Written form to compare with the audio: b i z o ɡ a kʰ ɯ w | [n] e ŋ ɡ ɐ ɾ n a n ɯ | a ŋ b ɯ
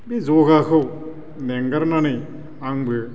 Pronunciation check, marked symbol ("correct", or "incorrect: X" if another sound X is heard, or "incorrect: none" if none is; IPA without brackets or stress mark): correct